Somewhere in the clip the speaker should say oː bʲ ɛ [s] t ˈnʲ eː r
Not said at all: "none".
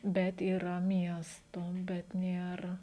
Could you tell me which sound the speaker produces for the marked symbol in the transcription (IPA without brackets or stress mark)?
none